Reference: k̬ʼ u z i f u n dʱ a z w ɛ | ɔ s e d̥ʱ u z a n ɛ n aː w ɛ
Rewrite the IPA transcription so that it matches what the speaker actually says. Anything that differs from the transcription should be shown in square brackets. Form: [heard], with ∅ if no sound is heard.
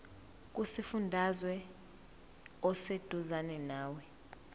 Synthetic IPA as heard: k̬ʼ u [s] i f u n dʱ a z w ɛ | ɔ s e d̥ʱ u z a n ɛ n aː w ɛ